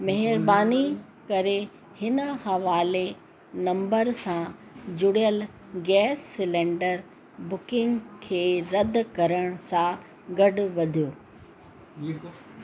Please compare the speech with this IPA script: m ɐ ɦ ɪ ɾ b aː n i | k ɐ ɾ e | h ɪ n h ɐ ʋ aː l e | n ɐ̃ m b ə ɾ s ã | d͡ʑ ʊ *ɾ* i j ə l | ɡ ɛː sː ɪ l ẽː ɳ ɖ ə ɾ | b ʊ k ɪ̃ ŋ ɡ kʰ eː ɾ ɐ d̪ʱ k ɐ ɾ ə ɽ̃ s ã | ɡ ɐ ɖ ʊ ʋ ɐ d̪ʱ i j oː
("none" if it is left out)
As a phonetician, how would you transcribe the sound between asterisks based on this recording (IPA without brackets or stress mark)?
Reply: ɽ